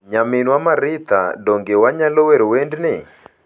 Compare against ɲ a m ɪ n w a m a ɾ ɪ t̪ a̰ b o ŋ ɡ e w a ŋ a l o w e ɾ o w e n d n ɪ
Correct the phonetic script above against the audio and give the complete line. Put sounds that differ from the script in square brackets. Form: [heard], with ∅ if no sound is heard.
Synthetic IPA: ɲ a m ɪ n w a m a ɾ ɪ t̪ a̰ [d] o ŋ ɡ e w a [ɲ] a l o w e ɾ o w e n d n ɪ